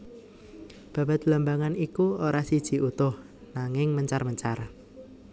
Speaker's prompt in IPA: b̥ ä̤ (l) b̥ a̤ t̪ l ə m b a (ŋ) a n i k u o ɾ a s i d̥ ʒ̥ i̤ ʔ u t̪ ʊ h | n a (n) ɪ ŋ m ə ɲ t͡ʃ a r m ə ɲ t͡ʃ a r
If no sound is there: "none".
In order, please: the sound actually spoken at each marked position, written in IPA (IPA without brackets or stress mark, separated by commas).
none, ŋ, ŋ